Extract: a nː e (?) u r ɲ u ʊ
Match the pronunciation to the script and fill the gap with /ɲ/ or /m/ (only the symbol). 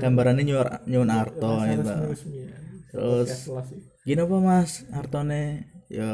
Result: ɲ